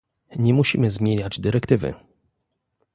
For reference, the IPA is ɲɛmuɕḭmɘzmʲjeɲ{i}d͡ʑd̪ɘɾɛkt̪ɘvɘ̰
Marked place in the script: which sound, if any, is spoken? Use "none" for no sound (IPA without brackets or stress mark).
a